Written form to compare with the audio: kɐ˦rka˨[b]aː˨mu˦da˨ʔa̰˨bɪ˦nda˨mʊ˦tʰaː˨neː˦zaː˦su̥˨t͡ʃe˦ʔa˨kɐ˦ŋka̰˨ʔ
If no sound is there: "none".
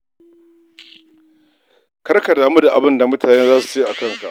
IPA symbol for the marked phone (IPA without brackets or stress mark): d